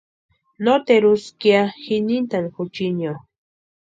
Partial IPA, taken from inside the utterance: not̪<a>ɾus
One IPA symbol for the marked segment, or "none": e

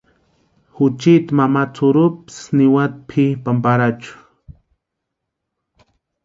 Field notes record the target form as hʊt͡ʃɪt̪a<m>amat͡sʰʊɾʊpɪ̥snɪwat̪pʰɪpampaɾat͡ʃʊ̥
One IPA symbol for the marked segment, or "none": m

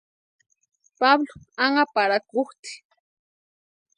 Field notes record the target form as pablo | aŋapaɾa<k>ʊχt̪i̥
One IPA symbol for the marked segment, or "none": k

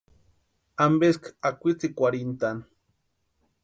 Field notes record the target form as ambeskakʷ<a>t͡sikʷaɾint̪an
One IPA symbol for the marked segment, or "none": i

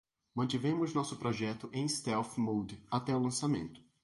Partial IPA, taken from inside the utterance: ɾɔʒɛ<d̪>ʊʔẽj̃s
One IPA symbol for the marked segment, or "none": t̪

